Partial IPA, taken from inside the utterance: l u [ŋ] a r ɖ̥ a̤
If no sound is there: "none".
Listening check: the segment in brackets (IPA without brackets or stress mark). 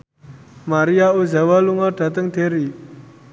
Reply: ŋ